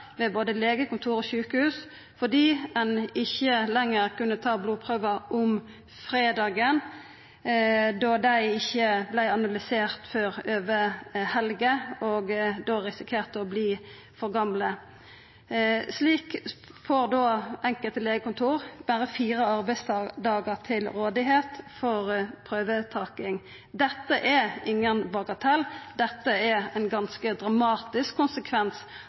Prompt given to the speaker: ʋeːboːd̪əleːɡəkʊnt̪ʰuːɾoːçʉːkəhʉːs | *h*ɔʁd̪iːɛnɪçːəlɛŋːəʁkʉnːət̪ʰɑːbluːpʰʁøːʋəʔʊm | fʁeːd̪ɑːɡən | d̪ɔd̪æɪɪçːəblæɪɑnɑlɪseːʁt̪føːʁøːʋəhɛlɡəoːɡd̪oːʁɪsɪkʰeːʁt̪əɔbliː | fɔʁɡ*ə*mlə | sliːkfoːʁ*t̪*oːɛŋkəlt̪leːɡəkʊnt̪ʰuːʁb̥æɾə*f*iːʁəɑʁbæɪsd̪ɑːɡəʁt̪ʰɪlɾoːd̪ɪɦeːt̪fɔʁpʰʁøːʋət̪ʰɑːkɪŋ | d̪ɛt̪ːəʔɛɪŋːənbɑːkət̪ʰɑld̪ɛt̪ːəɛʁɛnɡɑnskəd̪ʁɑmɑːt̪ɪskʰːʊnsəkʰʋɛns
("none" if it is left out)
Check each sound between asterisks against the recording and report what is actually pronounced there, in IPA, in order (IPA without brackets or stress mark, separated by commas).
f, ɑ, d̪, f